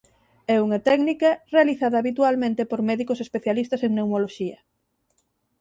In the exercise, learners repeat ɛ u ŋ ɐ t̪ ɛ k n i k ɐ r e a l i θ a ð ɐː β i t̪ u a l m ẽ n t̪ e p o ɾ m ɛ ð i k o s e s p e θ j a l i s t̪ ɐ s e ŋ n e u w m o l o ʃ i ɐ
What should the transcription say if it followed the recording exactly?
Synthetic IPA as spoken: ɛ u ŋ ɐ t̪ ɛ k n i k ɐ r e a l i θ a ð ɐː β i t̪ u a l m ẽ n t̪ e p o ɾ m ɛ ð i k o s e s p e θ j a l i s t̪ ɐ s e ŋ n e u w m o l o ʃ i ɐ